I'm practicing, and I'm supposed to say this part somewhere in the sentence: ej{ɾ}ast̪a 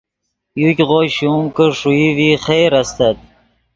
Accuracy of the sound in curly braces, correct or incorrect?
correct